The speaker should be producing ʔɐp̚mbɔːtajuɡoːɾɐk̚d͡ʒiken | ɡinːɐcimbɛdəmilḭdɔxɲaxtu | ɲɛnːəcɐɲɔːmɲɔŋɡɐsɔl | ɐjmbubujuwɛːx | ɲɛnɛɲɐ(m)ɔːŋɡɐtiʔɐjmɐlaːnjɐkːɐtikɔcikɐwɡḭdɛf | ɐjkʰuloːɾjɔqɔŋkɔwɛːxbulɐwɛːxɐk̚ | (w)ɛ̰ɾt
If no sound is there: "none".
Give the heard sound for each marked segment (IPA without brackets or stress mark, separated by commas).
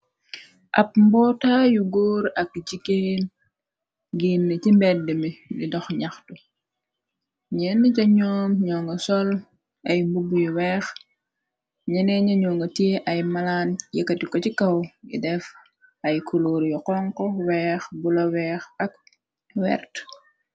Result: ɲ, w